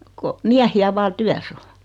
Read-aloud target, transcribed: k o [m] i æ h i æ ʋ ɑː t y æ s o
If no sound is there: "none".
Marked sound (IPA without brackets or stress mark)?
m